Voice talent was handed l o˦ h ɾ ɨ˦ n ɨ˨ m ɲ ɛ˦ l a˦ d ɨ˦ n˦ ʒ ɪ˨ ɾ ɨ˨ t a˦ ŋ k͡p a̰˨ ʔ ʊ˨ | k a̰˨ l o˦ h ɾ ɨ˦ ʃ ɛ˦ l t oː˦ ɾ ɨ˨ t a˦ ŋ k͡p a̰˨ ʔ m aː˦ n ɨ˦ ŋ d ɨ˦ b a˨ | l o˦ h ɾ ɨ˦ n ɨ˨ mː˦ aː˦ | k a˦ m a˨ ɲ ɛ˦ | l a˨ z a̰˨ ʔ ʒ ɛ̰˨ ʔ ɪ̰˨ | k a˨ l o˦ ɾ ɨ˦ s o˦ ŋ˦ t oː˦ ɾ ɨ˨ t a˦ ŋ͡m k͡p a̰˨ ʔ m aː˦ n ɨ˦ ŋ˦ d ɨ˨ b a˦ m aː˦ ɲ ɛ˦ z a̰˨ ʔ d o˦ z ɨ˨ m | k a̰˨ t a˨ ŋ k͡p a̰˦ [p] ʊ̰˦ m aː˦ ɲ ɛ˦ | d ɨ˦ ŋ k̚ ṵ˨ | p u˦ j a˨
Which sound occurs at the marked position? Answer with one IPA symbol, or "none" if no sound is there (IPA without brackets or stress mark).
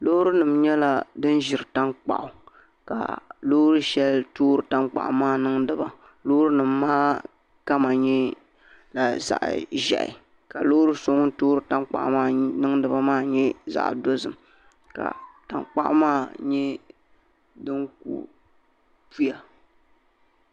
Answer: ʔ